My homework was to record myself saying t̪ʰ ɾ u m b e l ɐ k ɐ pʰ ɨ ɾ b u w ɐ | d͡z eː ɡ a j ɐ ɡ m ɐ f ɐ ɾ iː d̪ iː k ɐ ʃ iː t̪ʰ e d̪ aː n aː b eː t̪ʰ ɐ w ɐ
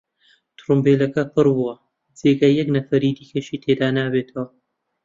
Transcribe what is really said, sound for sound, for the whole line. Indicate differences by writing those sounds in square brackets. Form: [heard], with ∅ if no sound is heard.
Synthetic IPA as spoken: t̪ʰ ɾ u m b e l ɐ k ɐ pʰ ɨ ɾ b u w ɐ | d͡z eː ɡ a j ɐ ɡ [n] ɐ f ɐ ɾ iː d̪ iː k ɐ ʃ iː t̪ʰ e d̪ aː n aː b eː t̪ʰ ɐ w ɐ